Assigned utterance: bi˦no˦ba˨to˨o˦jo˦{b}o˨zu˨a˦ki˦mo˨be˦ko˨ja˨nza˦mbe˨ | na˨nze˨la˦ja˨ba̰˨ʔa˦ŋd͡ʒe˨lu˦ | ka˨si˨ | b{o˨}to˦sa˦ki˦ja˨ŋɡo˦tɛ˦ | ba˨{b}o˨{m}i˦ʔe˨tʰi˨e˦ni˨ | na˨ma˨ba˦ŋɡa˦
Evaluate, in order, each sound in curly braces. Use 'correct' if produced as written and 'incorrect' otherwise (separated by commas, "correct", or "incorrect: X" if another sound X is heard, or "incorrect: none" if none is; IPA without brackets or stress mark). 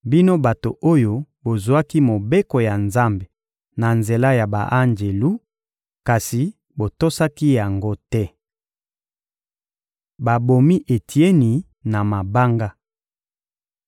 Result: correct, correct, correct, correct